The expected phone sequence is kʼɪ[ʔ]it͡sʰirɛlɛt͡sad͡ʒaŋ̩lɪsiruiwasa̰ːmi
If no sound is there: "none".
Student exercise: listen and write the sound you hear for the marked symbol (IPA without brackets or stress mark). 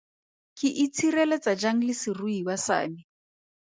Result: ʔ